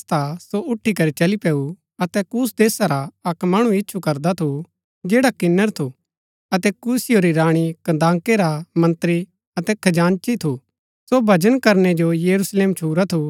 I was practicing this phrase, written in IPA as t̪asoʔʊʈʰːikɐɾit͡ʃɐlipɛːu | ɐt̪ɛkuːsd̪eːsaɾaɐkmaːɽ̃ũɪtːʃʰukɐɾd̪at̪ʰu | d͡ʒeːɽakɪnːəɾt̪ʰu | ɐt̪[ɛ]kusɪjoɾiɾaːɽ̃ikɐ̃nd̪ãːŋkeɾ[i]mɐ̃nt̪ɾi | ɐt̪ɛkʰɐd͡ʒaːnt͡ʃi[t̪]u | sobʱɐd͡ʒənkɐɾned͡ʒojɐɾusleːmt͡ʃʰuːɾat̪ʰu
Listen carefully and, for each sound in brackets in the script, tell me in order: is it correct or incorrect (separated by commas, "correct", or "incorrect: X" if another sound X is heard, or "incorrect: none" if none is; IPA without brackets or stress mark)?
correct, incorrect: a, incorrect: t̪ʰ